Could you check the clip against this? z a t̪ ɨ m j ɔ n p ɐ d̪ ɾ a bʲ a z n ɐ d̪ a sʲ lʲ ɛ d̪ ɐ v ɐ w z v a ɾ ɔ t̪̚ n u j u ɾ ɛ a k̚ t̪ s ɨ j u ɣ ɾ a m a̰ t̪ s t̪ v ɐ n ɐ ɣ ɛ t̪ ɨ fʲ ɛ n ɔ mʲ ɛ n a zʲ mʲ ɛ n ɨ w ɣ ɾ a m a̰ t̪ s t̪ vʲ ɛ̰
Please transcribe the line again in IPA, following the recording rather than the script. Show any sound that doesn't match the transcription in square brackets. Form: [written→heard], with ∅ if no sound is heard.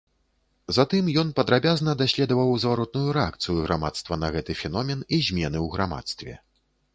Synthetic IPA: z a t̪ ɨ m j ɔ n p ɐ d̪ ɾ a bʲ a z n ɐ d̪ a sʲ lʲ ɛ d̪ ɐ v ɐ w z v a ɾ ɔ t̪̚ n u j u ɾ ɛ a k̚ t̪ s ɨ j u ɣ ɾ a m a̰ t̪ s t̪ v ɐ n ɐ ɣ ɛ t̪ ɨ fʲ ɛ n ɔ mʲ ɛ n [a→i] zʲ mʲ ɛ n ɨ w ɣ ɾ a m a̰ t̪ s t̪ vʲ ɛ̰

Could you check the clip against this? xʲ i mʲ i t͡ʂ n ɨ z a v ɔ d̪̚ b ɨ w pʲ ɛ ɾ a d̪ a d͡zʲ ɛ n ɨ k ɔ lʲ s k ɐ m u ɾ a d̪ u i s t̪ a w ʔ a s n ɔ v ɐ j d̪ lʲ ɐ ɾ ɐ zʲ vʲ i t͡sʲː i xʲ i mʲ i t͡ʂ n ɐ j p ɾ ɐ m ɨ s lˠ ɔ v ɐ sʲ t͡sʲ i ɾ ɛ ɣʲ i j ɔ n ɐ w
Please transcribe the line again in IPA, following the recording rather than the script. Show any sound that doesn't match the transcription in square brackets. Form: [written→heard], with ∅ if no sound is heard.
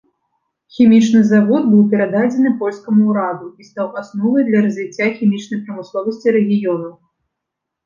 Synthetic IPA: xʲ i mʲ i t͡ʂ n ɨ z a v ɔ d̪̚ b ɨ w pʲ ɛ ɾ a d̪ a d͡zʲ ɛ n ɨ [k→p] ɔ lʲ s k ɐ m u ɾ a d̪ u i s t̪ a w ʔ a s n ɔ v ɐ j d̪ lʲ ɐ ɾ ɐ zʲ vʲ i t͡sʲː [i→a] xʲ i mʲ i t͡ʂ n ɐ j p ɾ ɐ m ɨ s lˠ ɔ v ɐ sʲ t͡sʲ i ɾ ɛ ɣʲ i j ɔ n ɐ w

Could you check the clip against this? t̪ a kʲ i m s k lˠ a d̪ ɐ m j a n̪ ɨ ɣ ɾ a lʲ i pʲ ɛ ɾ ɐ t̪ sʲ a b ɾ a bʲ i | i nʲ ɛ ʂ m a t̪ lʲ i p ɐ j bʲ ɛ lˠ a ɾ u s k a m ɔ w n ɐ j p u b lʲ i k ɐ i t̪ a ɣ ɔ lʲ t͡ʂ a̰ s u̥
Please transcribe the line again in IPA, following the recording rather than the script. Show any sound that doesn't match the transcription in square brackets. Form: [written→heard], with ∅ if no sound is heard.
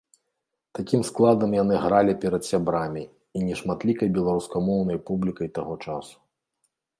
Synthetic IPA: t̪ a kʲ i m s k lˠ a d̪ ɐ m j a n̪ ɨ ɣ ɾ a lʲ i pʲ ɛ ɾ ɐ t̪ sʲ a b ɾ a [bʲ→mʲ] i | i nʲ ɛ ʂ m a t̪ lʲ i [p→k] ɐ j bʲ ɛ lˠ a ɾ u s k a m ɔ w n ɐ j p u b lʲ i k ɐ [i→j] t̪ a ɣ ɔ [lʲ→∅] t͡ʂ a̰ s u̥

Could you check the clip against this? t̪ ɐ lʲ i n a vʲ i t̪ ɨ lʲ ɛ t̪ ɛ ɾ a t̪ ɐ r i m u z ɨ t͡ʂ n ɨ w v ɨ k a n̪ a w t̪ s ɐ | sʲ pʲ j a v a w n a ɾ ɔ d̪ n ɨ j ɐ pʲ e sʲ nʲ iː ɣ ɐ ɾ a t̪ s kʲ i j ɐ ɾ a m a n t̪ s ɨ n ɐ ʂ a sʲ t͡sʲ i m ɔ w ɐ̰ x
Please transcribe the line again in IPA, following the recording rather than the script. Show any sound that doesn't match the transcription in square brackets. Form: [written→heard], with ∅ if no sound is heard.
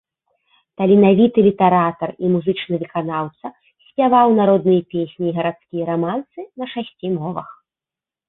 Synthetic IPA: t̪ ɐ lʲ i n a vʲ i t̪ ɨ lʲ [ɛ→i] t̪ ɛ ɾ a t̪ ɐ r i m u z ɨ t͡ʂ n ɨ [w→∅] v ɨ k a n̪ a w t̪ s ɐ | sʲ pʲ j a v a w n a ɾ ɔ d̪ n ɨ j ɐ pʲ e sʲ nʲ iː ɣ ɐ ɾ a t̪ s kʲ i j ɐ ɾ a m a n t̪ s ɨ n ɐ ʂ a sʲ t͡sʲ i m ɔ [w→v] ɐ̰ x

